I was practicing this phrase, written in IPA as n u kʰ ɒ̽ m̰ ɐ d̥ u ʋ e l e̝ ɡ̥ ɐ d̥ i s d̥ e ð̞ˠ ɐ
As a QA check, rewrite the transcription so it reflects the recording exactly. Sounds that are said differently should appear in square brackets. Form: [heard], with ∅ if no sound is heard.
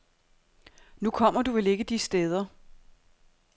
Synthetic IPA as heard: n u kʰ ɒ̽ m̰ ɐ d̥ u ʋ e l e̝ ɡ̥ [ə] d̥ i s d̥ e ð̞ˠ ɐ